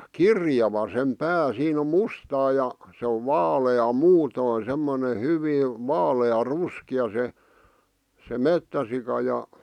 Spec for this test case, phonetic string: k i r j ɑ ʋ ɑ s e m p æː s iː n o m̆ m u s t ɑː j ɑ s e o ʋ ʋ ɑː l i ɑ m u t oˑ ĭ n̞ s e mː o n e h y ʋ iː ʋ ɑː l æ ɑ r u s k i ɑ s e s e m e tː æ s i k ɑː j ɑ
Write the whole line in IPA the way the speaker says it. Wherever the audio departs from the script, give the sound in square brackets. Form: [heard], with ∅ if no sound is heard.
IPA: k i r j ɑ ʋ ɑ s e m p æː s iː n o m̆ m u s t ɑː j ɑ s e o ʋ ʋ ɑː l [e] ɑ m [uː] t oˑ ĭ n̞ s e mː o n e h y ʋ iː ʋ ɑː l [e] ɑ r u s k i ɑ s e s e m e tː æ s i k [ɑ] j ɑ